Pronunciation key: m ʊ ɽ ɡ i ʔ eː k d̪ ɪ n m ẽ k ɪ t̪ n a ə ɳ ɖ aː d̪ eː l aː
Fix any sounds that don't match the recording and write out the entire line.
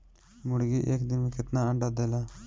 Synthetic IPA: m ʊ ɽ ɡ i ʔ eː k d̪ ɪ n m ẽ k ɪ t̪ n a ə ɳ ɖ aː d̪ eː l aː